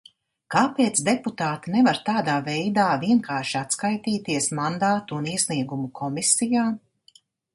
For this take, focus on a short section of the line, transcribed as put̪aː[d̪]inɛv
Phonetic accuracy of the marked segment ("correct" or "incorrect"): incorrect